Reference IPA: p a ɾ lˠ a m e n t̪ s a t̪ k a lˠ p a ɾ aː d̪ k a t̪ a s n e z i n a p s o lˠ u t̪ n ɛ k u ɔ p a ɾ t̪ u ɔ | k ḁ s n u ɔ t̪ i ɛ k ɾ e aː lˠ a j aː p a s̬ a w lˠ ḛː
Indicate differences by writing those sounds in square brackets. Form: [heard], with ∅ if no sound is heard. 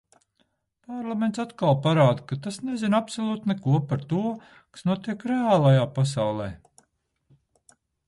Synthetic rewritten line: p a ɾ lˠ a m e n t̪ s a t̪ k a lˠ p a ɾ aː d̪ k a t̪ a s n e z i n a p s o lˠ [uː] t̪ n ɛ k u ɔ p a ɾ t̪ u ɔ | k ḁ s n u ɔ t̪ i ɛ k ɾ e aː lˠ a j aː p a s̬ a w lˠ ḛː